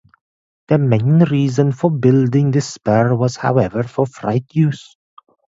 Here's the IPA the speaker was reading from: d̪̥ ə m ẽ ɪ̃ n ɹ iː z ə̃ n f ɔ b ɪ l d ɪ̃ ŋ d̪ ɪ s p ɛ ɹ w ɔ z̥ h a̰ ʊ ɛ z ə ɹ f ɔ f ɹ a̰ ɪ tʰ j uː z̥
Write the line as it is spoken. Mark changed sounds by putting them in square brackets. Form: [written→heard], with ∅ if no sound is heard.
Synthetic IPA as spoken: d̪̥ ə m ẽ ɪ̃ n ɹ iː z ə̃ n f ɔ b ɪ l d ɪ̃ ŋ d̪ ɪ s p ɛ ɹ w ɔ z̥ h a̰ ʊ ɛ [z→v] ə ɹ f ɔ f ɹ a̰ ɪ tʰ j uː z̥

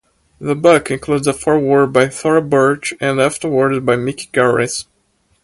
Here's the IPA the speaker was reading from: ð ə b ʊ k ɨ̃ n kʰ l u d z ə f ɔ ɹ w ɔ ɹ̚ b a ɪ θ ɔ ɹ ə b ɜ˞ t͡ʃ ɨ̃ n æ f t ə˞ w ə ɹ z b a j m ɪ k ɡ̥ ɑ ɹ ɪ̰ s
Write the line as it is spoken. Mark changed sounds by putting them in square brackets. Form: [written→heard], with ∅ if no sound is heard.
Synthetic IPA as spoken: ð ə b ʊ k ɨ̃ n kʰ l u d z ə f ɔ ɹ w ɔ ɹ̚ b a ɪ θ ɔ ɹ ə b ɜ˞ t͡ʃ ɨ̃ n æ f t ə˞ w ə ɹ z b a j m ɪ k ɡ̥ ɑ ɹ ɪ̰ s

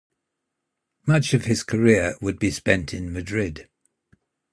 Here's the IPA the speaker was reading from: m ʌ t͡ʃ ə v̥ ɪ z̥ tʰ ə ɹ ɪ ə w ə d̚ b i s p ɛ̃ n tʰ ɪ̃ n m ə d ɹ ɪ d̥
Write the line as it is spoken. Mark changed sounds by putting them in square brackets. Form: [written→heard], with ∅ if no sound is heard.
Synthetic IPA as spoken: m ʌ t͡ʃ ə v̥ ɪ z̥ [tʰ→kʰ] ə ɹ ɪ ə w ə d̚ b i s p ɛ̃ n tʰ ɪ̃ n m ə d ɹ ɪ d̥

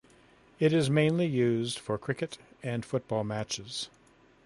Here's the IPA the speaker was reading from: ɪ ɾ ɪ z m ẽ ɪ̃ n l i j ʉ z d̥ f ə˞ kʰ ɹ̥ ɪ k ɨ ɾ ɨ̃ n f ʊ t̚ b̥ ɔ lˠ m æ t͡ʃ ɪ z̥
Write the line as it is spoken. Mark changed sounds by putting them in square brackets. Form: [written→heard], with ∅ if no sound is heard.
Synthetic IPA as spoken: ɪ ɾ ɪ z m ẽ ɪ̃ n l i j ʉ z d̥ f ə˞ kʰ ɹ̥ ɪ k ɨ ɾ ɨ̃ n f ʊ t̚ b̥ ɔ lˠ m æ t͡ʃ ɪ z̥

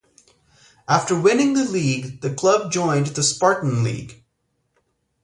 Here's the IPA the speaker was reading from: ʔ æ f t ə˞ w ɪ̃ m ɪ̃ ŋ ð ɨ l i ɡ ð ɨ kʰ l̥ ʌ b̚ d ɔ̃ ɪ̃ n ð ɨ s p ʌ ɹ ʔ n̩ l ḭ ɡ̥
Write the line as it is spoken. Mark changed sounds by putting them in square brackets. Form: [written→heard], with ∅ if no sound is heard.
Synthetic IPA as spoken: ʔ æ f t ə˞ w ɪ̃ [m→n] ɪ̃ ŋ ð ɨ l i ɡ ð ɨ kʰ l̥ ʌ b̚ [d→d͡ʒ] ɔ̃ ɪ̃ n ð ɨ s p [ʌ→ɑ] ɹ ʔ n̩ l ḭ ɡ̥

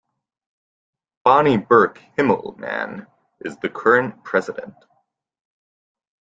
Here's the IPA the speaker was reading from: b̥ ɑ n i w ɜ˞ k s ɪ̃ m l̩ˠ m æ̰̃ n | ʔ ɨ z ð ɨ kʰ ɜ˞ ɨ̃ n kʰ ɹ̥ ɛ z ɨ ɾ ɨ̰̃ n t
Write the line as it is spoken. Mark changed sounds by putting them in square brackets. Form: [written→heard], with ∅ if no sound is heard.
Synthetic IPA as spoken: b̥ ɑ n i [w→b] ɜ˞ k [s→h] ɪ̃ m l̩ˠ m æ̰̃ n | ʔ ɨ z ð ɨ kʰ ɜ˞ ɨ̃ n [kʰ→pʰ] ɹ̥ ɛ z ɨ ɾ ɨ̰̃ n t

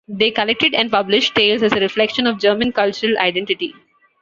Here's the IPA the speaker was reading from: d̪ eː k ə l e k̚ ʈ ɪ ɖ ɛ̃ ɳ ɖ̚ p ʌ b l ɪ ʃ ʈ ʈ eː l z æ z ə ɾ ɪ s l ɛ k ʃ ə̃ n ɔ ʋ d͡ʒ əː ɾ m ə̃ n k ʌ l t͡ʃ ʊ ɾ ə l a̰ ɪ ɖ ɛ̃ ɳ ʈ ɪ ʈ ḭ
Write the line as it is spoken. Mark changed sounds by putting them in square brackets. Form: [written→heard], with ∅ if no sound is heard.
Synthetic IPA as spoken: d̪ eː k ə l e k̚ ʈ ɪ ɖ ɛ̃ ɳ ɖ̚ p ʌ b l ɪ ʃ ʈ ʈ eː l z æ z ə ɾ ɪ [s→f] l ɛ k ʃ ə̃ n ɔ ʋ d͡ʒ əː ɾ m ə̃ n k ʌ l t͡ʃ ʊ ɾ ə l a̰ ɪ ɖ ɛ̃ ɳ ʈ ɪ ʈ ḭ

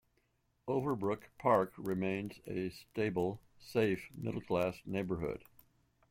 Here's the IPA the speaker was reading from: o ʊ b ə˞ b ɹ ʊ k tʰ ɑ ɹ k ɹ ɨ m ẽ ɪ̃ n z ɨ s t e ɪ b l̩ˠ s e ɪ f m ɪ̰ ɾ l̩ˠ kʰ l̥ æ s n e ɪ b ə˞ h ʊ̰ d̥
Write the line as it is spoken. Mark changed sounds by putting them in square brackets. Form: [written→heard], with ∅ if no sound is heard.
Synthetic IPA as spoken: o ʊ [b→v] ə˞ b ɹ ʊ k [tʰ→pʰ] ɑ ɹ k ɹ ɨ m ẽ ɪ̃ n z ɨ s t e ɪ b l̩ˠ s e ɪ f m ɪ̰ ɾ l̩ˠ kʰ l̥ æ s n e ɪ b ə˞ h ʊ̰ d̥

